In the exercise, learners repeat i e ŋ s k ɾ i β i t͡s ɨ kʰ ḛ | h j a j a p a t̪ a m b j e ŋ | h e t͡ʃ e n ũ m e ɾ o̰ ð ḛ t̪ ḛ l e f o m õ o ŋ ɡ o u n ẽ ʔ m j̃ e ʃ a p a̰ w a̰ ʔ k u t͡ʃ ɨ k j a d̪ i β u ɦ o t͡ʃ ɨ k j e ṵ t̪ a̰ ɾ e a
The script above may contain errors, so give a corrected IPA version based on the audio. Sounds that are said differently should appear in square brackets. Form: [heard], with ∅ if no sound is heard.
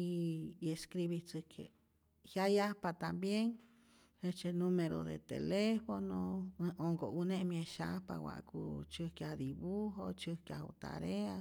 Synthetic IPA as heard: i e [∅] s k ɾ i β i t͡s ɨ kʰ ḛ | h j a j a p a t̪ a m b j e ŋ | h e t͡ʃ e n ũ m e ɾ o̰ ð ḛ t̪ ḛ l e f o [n] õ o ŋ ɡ o u n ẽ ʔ m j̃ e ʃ a p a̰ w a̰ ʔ k u t͡ʃ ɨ k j a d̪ i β u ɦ o t͡ʃ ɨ k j [a] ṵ t̪ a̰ ɾ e a